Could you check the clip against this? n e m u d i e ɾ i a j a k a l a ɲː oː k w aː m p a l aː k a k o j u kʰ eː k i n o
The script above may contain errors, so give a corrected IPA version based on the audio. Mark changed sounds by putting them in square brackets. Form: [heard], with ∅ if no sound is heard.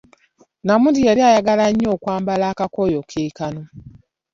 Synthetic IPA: n [a] m u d i e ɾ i a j a [ɡ] a l a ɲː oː k w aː m [b] a l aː k a k o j [o] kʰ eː k [a] n o